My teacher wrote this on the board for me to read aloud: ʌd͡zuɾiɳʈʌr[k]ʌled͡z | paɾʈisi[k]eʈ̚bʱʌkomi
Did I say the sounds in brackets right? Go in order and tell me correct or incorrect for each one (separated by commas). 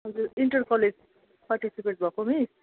correct, incorrect